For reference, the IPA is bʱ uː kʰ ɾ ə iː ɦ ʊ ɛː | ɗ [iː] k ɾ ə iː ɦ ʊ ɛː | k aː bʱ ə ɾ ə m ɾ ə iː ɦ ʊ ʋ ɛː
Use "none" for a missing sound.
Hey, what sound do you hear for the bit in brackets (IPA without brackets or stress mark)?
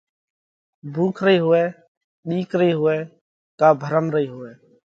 iː